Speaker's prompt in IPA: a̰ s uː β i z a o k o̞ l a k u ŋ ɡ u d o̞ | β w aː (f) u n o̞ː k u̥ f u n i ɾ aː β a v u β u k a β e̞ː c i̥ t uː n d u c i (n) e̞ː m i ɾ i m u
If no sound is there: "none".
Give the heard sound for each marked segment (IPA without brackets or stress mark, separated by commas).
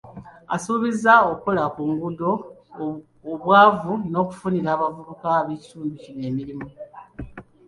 v, n